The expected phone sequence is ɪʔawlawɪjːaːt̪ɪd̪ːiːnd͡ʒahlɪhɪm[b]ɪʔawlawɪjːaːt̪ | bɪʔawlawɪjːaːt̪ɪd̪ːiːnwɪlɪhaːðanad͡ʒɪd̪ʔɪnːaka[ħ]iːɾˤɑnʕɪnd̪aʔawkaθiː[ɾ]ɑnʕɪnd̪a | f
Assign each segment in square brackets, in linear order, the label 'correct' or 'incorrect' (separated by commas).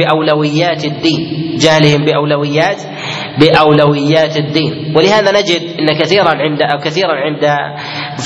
correct, incorrect, correct